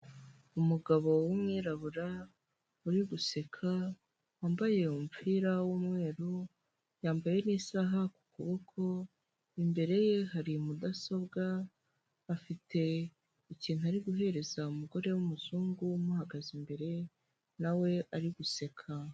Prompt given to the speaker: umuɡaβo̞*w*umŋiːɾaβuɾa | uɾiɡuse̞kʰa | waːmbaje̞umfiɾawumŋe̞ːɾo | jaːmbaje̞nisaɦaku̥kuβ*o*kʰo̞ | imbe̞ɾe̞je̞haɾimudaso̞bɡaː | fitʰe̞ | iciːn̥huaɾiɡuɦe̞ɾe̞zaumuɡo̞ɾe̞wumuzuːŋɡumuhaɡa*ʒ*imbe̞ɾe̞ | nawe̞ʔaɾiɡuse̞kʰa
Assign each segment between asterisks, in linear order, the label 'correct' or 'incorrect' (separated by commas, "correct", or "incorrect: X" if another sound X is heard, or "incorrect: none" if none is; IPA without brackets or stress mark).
correct, correct, incorrect: z